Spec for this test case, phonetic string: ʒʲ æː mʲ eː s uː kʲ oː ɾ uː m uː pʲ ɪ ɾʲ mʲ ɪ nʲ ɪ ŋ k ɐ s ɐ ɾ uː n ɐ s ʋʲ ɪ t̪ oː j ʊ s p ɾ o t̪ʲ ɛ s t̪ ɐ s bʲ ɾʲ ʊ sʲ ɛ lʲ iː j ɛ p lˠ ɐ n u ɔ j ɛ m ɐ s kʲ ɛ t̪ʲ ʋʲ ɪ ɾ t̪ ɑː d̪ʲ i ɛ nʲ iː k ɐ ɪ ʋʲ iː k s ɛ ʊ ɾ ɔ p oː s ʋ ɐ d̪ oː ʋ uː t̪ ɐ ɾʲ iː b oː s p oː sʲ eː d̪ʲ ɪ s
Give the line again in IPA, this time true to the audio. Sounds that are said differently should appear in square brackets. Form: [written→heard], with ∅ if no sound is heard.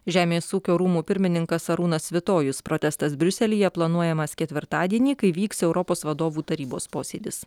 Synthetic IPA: ʒʲ æː mʲ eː s uː kʲ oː ɾ uː m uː pʲ ɪ ɾʲ mʲ ɪ nʲ ɪ ŋ k ɐ s ɐ ɾ uː n ɐ s ʋʲ ɪ t̪ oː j ʊ s p ɾ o t̪ʲ ɛ s t̪ ɐ s bʲ ɾʲ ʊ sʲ ɛ lʲ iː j ɛ p lˠ ɐ n u ɔ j ɛ m ɐ s kʲ ɛ t̪ʲ ʋʲ ɪ ɾ t̪ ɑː d̪ʲ i ɛ nʲ iː k ɐ ɪ ʋʲ iː k s ɛ ʊ ɾ ɔ p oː s ʋ ɐ d̪ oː ʋ uː t̪ ɐ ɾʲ iː b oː s p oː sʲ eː d̪ʲ ɪ s